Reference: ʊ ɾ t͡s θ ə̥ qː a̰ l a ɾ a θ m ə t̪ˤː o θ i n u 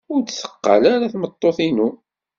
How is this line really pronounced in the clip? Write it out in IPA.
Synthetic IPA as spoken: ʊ ɾ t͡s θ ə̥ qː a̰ l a ɾ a θ m ə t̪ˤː o θ i n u